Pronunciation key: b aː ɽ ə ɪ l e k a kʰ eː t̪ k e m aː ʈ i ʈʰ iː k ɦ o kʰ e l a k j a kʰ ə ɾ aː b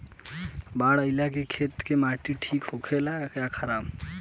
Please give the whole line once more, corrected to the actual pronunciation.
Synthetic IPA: b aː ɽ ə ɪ l a k e kʰ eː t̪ k e m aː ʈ i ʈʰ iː k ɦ o kʰ e l a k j a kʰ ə ɾ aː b